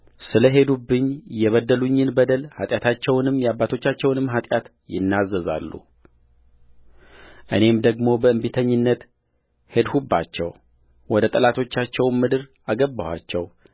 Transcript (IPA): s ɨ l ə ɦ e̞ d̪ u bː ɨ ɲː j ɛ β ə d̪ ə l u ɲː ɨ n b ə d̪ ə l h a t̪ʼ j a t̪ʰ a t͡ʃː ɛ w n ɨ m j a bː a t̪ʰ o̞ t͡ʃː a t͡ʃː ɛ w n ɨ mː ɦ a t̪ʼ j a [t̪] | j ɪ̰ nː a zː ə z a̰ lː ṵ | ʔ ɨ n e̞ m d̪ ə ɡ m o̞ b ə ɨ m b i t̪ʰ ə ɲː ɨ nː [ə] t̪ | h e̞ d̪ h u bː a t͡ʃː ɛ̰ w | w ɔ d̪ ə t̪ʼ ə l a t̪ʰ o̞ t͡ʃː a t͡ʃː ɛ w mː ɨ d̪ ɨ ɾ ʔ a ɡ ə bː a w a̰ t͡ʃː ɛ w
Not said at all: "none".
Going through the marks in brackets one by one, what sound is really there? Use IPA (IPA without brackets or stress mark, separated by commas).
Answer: t̪, ə